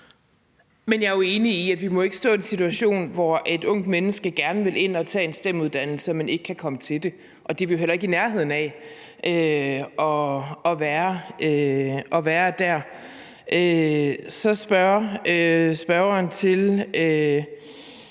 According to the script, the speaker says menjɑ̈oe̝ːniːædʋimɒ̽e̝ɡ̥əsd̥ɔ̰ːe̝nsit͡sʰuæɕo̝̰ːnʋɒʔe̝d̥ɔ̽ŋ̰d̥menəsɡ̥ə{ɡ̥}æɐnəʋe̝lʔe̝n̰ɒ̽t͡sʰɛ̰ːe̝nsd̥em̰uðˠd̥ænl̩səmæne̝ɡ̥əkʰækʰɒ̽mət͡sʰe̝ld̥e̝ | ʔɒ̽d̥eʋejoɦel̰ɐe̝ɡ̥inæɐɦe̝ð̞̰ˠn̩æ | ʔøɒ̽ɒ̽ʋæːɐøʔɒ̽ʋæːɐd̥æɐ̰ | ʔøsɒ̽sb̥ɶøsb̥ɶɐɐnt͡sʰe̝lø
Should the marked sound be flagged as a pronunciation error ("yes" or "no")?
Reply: no